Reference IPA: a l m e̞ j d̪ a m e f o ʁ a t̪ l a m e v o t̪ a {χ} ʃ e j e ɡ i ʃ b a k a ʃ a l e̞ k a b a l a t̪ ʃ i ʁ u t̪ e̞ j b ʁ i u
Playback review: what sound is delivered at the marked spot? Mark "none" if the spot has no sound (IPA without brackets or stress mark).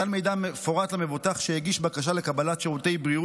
χ